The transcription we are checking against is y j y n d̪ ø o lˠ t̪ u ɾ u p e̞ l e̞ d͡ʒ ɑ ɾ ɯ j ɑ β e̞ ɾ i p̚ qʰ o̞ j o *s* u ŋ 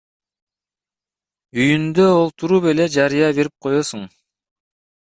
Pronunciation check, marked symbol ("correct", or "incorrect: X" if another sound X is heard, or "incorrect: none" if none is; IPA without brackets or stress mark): correct